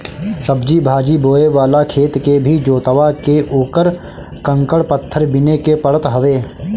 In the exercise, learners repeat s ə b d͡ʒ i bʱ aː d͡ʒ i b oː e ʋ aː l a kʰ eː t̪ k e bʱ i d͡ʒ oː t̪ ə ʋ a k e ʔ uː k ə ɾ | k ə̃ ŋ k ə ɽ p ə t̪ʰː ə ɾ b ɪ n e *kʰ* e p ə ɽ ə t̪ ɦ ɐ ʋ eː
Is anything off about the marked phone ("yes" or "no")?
yes